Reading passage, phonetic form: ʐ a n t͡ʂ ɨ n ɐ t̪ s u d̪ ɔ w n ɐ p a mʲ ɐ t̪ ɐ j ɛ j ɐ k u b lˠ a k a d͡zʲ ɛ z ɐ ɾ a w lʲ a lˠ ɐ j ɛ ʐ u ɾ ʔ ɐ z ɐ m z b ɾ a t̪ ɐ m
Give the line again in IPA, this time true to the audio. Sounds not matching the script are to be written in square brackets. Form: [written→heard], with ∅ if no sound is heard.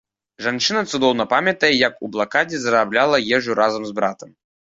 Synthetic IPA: ʐ a n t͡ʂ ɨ n ɐ t̪ s u d̪ ɔ w n ɐ p a mʲ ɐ t̪ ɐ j ɛ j ɐ k u b lˠ a k a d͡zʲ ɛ z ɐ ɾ a [w→b] lʲ a lˠ ɐ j ɛ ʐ u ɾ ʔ [ɐ→a] z ɐ m z b ɾ a t̪ ɐ m